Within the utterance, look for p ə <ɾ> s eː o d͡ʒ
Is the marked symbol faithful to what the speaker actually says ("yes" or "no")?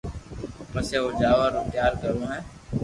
no